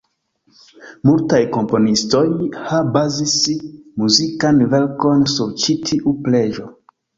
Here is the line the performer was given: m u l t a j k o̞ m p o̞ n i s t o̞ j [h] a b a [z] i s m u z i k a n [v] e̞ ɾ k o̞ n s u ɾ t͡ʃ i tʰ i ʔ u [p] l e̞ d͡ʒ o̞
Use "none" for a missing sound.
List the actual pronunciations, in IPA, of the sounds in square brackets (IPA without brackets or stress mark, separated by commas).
h, z, v, p